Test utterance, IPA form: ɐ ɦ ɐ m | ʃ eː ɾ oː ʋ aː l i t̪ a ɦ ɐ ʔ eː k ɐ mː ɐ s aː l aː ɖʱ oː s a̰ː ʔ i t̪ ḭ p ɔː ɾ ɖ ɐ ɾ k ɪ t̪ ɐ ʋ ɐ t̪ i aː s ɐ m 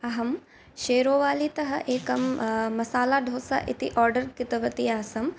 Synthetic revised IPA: ɐ ɦ ɐ m | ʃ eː ɾ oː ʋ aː l i t̪ ɐ ɦ ɐ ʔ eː k ɐ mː ɐ s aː l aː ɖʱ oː s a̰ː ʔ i t̪ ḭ ʔ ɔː ɾ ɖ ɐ ɾ k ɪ t̪ ɐ ʋ ɐ t̪ i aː s ɐ m